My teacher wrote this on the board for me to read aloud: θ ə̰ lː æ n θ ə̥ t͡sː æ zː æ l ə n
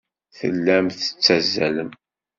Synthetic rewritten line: θ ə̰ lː æ m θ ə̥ t͡sː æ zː æ l ə m